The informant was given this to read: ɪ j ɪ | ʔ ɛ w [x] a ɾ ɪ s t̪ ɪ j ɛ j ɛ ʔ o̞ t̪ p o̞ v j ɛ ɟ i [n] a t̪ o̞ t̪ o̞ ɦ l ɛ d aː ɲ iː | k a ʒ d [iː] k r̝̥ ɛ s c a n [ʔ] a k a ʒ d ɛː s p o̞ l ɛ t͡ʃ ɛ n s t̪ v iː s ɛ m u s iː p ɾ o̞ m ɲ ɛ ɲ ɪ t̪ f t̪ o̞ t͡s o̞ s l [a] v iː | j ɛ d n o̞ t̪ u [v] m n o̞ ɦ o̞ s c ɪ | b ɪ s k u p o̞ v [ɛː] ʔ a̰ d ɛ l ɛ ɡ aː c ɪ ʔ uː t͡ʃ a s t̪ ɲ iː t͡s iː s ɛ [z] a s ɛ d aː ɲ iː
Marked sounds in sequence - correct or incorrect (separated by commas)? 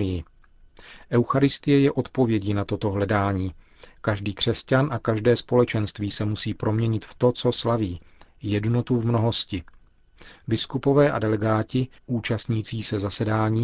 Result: correct, correct, correct, correct, correct, correct, correct, correct